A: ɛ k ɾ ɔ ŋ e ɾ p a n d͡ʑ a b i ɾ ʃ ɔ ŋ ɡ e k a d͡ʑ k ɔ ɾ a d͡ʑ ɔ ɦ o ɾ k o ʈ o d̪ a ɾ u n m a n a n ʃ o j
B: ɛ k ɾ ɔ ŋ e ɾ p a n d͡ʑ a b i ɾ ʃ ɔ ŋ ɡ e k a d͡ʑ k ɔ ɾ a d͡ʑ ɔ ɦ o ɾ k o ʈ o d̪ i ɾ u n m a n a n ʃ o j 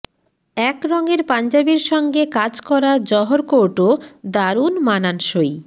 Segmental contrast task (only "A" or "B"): A